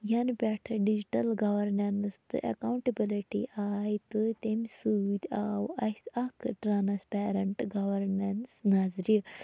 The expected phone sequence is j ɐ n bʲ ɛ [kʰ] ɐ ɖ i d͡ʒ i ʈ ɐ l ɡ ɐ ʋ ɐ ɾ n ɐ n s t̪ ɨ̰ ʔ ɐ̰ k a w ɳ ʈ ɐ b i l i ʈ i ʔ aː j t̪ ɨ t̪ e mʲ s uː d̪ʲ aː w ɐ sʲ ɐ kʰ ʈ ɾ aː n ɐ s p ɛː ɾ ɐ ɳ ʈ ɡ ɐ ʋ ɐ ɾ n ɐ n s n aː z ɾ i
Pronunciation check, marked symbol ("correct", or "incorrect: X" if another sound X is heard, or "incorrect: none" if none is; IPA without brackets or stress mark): incorrect: ʈʰ